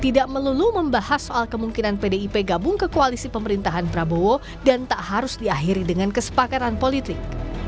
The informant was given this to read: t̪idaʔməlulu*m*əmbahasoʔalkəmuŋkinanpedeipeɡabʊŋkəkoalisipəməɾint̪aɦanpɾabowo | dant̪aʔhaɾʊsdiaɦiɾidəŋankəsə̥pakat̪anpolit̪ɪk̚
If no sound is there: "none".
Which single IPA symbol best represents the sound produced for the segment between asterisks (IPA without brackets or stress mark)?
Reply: m